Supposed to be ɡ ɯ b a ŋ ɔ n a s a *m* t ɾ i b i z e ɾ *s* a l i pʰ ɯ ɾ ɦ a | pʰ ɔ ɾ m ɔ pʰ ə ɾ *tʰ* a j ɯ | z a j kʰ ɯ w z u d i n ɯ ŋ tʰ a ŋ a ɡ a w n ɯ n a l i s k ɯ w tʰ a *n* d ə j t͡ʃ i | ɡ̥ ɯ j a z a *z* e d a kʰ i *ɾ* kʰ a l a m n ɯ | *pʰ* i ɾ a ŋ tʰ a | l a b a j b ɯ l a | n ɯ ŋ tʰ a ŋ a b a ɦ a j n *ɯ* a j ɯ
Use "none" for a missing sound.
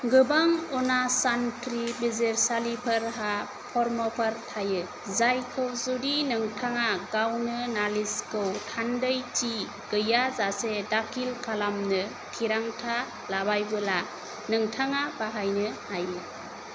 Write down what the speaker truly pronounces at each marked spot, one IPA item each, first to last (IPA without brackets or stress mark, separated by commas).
n, s, tʰ, n, s, l, tʰ, ɯ